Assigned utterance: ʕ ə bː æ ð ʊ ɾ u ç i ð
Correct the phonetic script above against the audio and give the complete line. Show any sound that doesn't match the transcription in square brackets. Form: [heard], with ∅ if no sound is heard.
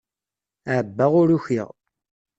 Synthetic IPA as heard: ʕ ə bː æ [ʁ] ʊ ɾ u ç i [ʁ]